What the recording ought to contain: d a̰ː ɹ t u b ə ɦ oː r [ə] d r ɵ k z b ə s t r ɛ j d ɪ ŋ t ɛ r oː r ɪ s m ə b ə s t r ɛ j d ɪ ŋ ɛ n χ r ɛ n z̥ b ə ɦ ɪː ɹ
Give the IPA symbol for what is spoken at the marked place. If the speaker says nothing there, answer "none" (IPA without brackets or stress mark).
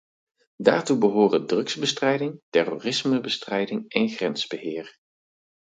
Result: ə